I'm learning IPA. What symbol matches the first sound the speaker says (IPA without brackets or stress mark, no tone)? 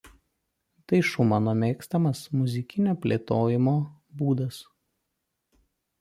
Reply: t̪